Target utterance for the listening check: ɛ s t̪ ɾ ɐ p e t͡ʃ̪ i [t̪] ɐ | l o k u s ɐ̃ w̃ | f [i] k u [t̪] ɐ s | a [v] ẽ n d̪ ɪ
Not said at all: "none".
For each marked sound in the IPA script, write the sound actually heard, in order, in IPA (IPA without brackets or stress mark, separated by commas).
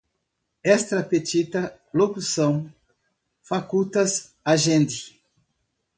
t̪, a, t̪, ʒ